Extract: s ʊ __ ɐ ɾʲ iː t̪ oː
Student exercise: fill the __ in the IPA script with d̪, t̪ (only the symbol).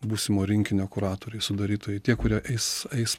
d̪